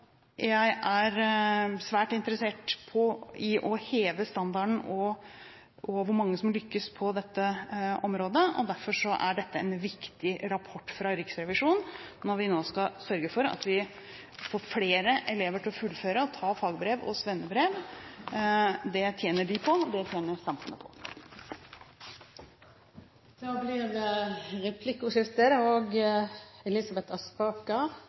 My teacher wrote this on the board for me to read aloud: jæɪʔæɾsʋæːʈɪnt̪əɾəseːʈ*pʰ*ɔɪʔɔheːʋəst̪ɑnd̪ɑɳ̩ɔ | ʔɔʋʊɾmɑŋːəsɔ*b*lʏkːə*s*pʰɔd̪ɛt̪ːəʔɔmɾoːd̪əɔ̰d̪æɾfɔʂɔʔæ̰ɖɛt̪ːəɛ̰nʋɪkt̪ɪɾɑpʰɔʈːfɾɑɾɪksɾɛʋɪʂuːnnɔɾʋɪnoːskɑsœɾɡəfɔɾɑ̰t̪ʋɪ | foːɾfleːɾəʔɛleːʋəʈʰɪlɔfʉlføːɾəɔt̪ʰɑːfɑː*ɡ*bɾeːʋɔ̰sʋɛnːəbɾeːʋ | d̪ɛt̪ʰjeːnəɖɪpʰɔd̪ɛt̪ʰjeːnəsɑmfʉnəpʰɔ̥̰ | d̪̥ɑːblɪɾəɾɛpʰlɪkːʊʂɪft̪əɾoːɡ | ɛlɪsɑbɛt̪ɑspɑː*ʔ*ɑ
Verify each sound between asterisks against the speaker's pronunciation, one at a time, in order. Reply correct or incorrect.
correct, incorrect: m, correct, correct, incorrect: k

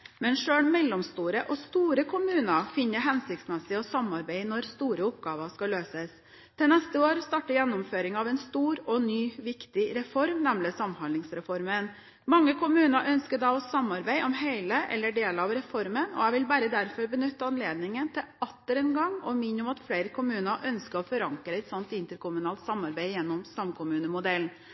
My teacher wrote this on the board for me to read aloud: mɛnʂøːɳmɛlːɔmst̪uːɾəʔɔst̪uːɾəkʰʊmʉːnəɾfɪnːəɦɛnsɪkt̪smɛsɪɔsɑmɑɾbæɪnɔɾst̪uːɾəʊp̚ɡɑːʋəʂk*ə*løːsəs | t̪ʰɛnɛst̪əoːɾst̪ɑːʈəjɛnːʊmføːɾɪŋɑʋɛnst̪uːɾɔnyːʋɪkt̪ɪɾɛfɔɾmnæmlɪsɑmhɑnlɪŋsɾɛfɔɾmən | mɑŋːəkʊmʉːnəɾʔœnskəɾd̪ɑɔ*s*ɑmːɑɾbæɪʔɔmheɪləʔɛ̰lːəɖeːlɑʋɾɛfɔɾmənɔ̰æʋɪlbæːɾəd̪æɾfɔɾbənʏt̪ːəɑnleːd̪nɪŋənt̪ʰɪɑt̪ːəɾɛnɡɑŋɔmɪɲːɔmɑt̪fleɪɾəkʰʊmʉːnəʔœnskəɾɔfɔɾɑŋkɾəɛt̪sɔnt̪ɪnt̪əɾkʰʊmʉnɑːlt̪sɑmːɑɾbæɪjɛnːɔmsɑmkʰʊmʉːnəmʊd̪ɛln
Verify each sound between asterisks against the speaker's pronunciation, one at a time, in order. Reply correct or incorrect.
incorrect: ɑ, correct

